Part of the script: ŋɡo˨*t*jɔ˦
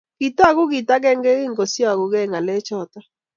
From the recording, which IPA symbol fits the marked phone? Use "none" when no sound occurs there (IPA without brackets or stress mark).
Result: s